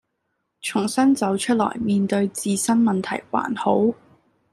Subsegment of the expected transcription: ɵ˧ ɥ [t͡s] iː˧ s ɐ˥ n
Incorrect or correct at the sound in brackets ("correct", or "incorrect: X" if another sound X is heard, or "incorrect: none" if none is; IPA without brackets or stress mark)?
correct